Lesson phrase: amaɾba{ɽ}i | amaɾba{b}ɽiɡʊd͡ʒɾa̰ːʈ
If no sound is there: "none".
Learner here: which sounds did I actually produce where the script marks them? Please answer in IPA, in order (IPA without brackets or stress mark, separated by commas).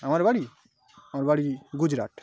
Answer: ɽ, none